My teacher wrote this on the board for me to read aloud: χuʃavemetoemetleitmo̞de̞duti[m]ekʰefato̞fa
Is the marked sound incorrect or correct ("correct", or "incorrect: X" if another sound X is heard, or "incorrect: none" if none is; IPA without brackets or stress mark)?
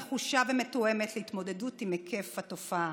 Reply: correct